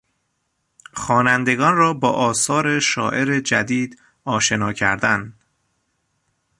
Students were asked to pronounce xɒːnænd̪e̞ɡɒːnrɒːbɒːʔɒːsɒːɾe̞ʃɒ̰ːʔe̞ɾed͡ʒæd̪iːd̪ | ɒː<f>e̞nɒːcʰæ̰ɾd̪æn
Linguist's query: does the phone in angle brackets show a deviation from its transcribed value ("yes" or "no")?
yes